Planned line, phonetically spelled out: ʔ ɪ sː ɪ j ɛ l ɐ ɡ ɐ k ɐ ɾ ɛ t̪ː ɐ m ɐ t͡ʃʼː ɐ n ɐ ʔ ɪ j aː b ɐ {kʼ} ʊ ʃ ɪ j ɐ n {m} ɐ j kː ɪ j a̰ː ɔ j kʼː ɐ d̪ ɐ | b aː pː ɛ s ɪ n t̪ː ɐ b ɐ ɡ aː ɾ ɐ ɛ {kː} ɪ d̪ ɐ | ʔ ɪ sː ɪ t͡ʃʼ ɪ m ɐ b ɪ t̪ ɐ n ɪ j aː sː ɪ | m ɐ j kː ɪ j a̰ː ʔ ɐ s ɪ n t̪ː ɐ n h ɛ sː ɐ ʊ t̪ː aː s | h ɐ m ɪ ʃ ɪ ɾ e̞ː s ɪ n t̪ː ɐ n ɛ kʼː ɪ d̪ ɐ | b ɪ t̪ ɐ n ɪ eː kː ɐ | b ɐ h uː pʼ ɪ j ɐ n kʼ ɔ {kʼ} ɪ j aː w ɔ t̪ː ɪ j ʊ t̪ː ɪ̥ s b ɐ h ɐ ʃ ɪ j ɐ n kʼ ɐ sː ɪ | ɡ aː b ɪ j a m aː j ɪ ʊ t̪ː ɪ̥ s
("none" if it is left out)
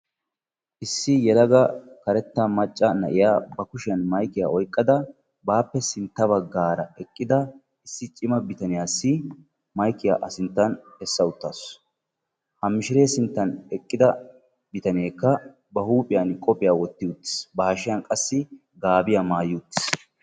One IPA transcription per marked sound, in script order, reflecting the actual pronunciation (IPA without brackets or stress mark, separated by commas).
k, m, kʼː, pʼ